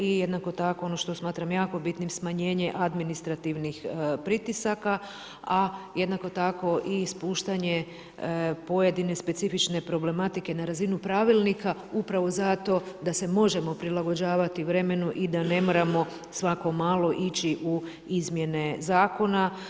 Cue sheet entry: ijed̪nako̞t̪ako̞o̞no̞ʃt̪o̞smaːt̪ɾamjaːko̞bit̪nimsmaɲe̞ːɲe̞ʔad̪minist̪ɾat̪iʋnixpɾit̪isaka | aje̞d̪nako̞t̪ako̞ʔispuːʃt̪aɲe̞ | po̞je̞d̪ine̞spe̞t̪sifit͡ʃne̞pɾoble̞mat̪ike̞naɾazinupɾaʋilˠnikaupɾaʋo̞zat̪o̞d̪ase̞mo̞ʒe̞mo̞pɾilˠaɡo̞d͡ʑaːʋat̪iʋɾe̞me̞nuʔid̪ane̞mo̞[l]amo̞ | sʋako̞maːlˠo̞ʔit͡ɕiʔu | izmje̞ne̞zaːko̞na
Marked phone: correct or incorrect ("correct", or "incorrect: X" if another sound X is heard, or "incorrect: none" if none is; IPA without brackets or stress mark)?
incorrect: ɾ